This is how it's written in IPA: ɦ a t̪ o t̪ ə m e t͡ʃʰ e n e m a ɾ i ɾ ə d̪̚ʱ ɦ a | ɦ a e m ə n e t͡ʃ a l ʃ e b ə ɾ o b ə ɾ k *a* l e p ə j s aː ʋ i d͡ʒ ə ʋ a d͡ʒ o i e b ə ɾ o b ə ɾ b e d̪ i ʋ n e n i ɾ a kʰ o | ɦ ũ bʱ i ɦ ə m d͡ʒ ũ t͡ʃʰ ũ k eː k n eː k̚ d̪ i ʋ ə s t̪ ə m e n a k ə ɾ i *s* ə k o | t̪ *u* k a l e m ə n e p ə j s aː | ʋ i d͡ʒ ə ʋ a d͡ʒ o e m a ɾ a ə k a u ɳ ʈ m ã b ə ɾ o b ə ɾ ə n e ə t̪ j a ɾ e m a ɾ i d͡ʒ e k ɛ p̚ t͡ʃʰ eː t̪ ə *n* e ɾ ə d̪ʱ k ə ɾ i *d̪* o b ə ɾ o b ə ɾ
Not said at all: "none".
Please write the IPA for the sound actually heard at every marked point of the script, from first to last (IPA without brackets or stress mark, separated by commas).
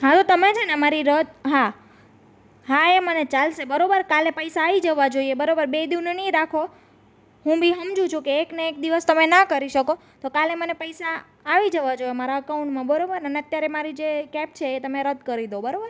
a, ʃ, o, m, d̪